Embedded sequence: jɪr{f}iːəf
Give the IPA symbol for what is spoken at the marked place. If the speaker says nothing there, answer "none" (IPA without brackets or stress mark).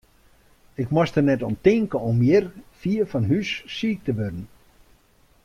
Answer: f